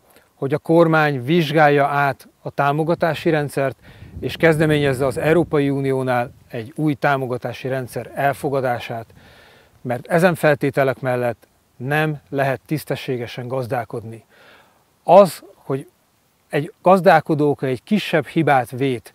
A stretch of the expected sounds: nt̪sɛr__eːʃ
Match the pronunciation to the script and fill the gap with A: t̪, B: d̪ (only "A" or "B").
A